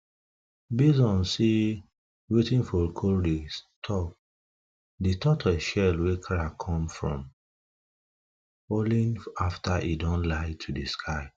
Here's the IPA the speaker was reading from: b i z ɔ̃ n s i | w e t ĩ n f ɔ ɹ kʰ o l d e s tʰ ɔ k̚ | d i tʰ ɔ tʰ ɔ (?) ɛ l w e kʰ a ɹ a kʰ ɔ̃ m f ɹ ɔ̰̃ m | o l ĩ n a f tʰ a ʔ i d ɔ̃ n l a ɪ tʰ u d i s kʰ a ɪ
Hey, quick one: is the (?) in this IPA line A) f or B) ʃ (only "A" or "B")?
B